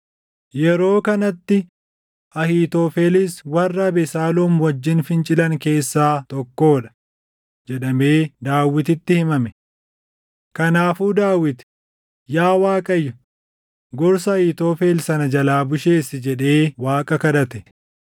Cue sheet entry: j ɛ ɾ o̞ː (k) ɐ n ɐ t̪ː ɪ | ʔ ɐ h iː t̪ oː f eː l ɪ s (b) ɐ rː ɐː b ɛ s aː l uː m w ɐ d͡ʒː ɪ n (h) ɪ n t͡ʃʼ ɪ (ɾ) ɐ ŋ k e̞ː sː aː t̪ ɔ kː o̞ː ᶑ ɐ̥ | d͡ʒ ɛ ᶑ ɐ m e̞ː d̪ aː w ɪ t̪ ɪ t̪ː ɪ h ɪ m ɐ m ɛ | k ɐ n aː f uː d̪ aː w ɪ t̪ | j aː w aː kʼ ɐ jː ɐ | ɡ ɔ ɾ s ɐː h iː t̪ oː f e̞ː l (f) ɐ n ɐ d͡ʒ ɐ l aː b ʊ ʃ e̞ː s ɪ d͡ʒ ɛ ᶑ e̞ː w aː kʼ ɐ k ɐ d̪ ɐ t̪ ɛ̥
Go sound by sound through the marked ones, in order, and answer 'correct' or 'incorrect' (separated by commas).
correct, incorrect, incorrect, incorrect, incorrect